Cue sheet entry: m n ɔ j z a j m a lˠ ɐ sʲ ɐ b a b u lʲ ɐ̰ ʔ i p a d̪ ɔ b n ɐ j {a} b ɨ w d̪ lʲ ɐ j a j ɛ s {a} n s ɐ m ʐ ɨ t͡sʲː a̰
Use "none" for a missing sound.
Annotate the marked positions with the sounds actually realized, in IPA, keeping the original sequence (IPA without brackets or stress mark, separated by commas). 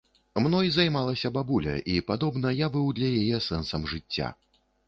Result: a, ɛ